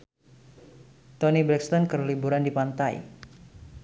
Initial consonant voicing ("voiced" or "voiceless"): voiceless